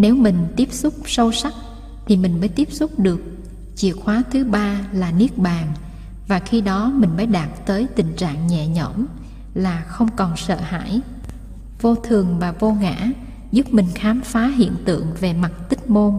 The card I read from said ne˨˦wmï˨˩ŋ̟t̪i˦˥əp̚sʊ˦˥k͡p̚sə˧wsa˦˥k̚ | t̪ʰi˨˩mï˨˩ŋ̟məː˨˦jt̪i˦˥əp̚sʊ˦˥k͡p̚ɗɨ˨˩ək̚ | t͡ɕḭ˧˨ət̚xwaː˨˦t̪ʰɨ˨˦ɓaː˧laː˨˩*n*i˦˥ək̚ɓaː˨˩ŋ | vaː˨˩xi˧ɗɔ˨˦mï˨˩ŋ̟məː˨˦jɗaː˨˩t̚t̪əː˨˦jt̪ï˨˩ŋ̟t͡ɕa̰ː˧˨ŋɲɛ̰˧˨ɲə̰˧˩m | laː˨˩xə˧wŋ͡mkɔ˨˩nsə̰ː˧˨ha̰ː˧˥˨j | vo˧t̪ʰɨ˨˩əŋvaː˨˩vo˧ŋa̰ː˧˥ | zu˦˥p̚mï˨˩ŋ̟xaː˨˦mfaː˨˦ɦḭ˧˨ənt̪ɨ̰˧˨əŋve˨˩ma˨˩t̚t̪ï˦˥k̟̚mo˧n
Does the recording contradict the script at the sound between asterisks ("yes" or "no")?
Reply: no